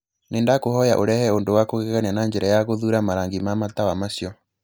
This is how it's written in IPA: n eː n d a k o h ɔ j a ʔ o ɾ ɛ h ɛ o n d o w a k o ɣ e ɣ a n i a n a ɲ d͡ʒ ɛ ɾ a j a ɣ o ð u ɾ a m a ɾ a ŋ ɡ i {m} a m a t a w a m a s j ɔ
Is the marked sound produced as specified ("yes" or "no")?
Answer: yes